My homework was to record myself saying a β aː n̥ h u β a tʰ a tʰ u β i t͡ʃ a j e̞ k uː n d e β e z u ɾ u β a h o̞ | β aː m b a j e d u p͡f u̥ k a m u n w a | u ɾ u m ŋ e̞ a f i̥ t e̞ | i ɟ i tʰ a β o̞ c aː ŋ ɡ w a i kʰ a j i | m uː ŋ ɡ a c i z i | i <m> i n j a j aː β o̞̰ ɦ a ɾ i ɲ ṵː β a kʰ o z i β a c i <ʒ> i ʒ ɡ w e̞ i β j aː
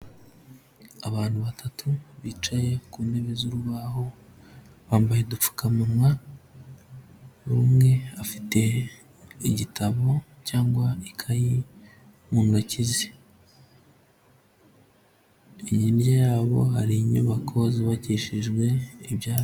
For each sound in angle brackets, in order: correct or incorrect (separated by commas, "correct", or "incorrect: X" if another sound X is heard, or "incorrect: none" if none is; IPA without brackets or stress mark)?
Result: incorrect: ɲ, incorrect: ʃ